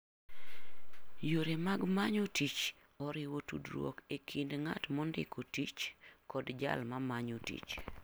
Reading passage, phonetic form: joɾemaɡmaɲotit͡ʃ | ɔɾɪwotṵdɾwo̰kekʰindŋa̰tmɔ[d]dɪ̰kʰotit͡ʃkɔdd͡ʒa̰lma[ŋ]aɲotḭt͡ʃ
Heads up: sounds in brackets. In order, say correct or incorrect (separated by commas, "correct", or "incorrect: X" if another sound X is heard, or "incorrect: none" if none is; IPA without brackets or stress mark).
incorrect: n, incorrect: m